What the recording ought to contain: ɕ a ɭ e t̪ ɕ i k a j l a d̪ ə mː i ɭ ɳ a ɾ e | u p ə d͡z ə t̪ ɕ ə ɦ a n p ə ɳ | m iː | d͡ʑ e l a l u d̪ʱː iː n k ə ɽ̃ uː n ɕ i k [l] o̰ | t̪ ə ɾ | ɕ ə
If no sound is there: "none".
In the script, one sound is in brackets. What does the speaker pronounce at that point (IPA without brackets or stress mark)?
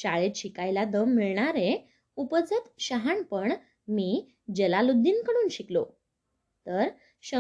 l